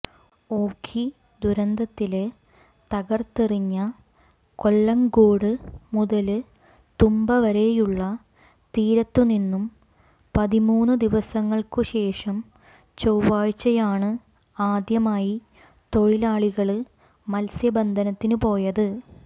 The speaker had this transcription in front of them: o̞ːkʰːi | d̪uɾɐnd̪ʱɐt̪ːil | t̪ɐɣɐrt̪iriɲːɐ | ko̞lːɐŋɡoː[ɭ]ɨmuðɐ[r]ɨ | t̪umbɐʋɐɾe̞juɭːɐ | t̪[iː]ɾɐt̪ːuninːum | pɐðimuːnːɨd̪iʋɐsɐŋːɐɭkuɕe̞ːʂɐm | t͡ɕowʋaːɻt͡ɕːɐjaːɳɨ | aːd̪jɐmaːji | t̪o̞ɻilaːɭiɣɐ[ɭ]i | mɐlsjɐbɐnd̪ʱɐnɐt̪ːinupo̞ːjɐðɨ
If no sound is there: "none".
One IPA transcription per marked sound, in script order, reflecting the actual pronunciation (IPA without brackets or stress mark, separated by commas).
ɽ, l, iː, ɭ